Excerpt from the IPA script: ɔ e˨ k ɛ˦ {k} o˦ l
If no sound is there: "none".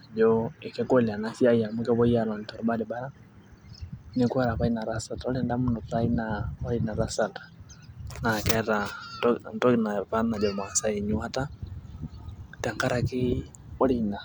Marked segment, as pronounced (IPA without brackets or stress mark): k